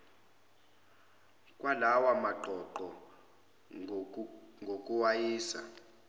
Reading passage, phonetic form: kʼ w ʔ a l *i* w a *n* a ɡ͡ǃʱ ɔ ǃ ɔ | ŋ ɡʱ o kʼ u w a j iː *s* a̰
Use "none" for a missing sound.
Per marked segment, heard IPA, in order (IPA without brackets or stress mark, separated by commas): a, m, s